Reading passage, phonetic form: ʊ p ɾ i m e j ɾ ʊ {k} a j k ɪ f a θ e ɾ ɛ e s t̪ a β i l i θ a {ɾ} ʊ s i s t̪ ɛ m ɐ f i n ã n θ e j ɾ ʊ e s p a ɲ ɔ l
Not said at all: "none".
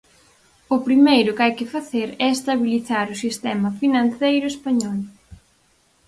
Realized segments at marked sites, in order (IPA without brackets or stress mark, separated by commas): k, ɾ